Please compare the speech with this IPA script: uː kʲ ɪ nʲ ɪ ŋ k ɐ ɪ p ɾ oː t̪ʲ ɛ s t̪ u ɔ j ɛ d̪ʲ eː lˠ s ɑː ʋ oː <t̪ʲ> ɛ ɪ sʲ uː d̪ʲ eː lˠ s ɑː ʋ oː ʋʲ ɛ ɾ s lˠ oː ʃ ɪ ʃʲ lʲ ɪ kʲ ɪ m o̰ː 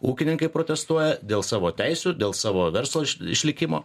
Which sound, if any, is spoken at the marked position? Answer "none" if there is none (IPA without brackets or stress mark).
t̪ʲ